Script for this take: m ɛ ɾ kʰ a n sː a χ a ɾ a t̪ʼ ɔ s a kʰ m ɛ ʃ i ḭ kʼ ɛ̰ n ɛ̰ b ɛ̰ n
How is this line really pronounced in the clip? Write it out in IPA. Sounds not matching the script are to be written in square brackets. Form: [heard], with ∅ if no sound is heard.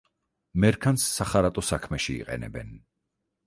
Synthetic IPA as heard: m ɛ ɾ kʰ a n sː a χ a ɾ a t̪ʼ ɔ s a kʰ m ɛ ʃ i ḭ [qʼ] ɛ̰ n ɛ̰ b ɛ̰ n